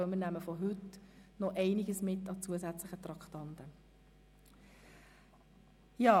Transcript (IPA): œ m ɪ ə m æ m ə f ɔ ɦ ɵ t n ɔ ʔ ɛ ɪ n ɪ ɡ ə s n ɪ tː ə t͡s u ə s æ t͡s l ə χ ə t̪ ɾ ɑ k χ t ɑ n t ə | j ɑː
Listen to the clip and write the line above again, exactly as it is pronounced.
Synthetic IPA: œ m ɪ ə n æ m ə f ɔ ɦ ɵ t n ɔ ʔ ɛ ɪ n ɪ ɡ ə s m ɪ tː ɑ t͡s u ə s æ t͡s l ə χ ə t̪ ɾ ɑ k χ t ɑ n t ə | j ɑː